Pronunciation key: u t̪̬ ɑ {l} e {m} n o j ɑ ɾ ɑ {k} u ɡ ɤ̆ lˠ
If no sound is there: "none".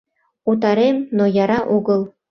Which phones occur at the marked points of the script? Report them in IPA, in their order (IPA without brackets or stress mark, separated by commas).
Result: ɾ, m, ʔ